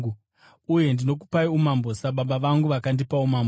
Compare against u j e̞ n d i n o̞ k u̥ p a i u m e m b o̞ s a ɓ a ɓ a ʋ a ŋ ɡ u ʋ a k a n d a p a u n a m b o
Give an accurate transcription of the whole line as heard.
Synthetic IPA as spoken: u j e̞ n d i n o̞ k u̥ p a i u m a m b o̞ s a ɓ a ɓ a ʋ a ŋ ɡ u ʋ a k a n d i p a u m a m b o